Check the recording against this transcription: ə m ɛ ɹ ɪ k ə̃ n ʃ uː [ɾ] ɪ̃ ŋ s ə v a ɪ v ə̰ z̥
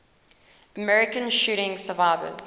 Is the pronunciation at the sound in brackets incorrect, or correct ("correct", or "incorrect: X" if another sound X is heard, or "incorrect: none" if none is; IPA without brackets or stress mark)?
correct